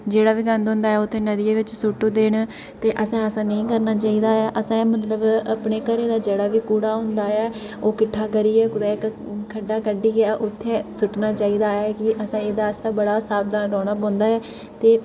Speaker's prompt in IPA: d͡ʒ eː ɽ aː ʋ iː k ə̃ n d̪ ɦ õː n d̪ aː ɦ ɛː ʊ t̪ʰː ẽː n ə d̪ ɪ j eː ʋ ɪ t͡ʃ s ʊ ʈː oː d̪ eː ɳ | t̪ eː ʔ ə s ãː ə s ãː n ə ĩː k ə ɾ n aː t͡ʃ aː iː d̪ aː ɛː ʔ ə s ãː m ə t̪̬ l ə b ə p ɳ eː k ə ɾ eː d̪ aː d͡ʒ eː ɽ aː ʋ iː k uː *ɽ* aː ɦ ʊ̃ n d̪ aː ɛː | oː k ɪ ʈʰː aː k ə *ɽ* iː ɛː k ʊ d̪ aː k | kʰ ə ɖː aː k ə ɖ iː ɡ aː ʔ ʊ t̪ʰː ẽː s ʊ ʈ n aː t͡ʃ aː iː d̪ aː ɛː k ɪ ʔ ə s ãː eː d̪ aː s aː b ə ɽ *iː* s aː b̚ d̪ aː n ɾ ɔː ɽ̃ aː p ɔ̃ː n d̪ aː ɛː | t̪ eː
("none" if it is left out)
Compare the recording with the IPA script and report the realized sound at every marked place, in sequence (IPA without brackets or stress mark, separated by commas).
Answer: ɽ, ɾ, aː